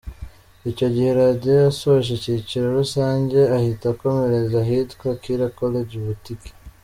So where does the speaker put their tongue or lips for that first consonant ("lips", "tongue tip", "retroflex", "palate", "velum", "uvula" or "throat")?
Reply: palate